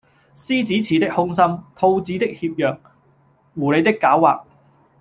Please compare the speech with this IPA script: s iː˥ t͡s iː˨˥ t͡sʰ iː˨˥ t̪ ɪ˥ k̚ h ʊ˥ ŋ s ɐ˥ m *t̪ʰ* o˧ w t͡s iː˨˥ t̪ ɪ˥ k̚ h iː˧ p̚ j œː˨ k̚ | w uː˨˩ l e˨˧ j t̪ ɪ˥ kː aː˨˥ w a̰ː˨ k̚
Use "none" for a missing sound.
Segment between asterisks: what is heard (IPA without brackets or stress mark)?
t̪ʰ